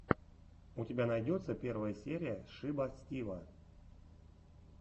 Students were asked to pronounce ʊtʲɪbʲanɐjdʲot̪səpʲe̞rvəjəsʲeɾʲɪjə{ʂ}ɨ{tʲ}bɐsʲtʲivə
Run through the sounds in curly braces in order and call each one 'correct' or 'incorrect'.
correct, incorrect: none

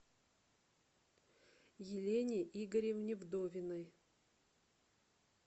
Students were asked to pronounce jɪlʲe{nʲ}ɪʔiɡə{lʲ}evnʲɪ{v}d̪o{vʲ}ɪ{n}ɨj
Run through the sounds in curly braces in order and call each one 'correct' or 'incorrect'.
correct, incorrect: ɾʲ, correct, correct, correct

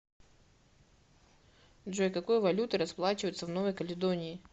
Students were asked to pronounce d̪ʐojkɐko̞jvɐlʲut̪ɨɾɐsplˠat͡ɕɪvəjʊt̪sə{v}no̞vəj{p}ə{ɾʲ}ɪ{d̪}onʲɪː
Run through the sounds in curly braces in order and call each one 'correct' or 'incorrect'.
correct, incorrect: k, incorrect: lʲ, correct

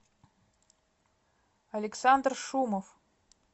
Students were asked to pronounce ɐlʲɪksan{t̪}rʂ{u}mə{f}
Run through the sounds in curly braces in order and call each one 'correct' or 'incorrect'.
incorrect: d̪, correct, correct

